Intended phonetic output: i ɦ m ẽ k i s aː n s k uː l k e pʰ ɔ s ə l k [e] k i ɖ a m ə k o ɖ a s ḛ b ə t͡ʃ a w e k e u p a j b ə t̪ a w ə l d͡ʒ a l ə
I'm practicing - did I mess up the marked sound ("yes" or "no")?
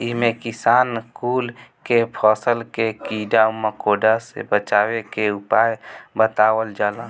no